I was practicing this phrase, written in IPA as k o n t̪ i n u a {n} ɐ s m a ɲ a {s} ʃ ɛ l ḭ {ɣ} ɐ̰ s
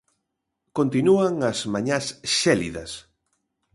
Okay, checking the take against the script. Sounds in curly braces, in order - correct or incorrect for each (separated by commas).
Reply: incorrect, correct, incorrect